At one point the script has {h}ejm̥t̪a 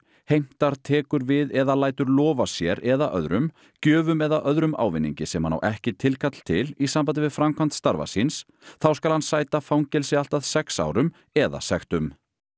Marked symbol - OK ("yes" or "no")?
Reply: yes